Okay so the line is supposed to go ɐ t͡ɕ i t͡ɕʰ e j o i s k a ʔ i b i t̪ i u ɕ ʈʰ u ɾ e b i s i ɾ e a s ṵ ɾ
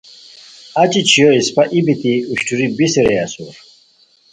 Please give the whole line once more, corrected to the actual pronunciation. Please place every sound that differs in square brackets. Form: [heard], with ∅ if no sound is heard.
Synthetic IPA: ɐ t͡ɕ i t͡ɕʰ [i] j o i s [p] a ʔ i b i t̪ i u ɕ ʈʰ u ɾ [i] b i s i ɾ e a s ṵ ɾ

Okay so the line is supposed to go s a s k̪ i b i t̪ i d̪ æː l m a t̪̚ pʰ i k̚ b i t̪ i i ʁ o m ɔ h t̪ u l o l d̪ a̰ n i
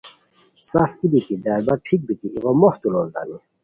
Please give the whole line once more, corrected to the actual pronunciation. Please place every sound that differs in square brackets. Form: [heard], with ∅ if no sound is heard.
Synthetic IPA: s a [f] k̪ i b i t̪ i d̪ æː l [b] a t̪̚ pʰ i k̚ b i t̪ i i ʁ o m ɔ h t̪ u l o l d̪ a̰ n i

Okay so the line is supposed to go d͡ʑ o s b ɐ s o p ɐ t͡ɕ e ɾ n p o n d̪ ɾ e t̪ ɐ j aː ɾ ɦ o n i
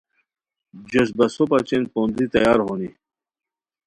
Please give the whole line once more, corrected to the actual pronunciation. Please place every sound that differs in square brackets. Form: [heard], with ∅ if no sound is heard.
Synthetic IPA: d͡ʑ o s b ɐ s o p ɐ t͡ɕ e [∅] n p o n d̪ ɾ [i] t̪ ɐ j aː ɾ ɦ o n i

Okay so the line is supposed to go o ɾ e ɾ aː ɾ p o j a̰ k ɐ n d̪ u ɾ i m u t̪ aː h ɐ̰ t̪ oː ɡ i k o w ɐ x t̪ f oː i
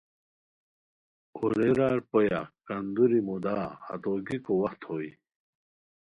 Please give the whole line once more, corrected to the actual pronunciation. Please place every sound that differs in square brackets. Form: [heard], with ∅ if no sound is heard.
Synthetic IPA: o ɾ e ɾ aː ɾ p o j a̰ k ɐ n d̪ u ɾ i m u [d̪] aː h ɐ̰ t̪ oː ɡ i k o w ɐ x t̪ [h] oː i

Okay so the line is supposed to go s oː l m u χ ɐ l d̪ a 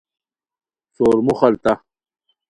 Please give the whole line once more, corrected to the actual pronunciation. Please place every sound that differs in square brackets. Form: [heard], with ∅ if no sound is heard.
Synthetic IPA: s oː [ɾ] m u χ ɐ l [t̪] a

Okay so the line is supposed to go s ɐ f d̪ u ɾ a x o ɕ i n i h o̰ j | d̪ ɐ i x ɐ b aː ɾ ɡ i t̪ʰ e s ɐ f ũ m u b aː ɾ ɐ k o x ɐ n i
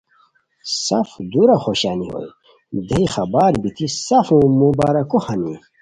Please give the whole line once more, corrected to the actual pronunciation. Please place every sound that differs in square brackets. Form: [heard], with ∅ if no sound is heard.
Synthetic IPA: s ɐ f d̪ u ɾ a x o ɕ [a] n i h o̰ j | d̪ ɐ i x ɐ b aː ɾ [b] i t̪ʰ [i] s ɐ f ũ m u b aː ɾ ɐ k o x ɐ n i

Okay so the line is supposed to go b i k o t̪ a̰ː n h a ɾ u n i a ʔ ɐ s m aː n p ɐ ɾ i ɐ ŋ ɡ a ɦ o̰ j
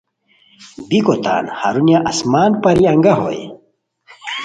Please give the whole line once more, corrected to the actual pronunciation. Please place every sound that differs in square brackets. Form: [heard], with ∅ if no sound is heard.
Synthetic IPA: b i k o t̪ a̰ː n h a ɾ u n [j] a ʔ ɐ s m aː n p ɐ ɾ i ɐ ŋ ɡ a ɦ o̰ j

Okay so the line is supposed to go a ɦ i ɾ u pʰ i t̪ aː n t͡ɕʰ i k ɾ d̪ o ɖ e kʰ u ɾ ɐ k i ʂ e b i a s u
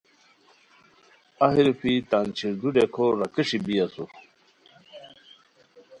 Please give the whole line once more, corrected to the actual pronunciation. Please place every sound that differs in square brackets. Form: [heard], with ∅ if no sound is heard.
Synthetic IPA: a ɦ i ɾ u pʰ i t̪ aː n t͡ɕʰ i [∅] ɾ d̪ [u] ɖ e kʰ [o] ɾ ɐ k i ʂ [i] b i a s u

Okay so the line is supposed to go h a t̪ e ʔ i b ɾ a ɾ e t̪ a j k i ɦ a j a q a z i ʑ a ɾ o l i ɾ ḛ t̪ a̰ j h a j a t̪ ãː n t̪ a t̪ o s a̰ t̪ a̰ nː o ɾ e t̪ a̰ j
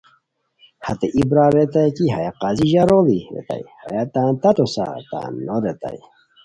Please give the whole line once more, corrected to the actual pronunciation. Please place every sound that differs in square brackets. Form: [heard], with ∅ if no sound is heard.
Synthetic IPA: h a t̪ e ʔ i b ɾ a ɾ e t̪ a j k i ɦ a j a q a z i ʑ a ɾ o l i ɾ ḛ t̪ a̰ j h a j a t̪ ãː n t̪ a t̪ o s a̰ t̪ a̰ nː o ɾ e t̪ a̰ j

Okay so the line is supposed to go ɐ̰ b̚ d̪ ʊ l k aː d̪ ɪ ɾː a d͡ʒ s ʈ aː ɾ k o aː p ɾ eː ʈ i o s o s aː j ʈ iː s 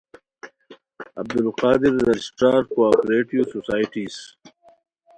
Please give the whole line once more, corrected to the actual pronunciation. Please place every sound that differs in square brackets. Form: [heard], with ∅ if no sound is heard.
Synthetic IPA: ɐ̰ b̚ d̪ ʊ l [q] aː d̪ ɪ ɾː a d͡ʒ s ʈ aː ɾ k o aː p ɾ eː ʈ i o s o s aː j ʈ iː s

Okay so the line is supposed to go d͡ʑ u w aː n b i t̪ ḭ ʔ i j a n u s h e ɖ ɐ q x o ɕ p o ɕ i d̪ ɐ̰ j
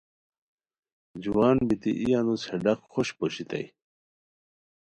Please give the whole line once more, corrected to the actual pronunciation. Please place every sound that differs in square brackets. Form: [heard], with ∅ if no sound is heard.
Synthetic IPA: d͡ʑ u w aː n b i t̪ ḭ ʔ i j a n u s h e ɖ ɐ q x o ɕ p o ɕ i [t̪] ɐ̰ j

